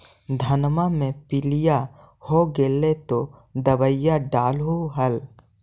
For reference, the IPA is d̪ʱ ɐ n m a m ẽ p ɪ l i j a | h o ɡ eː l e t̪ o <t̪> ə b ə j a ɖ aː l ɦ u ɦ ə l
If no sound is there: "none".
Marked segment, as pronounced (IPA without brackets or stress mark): d̪